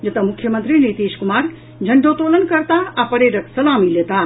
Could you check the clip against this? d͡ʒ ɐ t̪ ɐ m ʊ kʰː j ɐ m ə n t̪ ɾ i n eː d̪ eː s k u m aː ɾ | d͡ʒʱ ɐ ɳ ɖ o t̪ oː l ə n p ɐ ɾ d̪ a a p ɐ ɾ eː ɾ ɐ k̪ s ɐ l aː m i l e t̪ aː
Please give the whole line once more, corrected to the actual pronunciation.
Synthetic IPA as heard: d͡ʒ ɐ t̪ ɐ m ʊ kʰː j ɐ m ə n t̪ ɾ i n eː t̪ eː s k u m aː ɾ | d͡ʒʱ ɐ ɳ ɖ o t̪ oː l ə n k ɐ ɾ t̪ a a p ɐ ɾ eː ɾ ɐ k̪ s ɐ l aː m i l e t̪ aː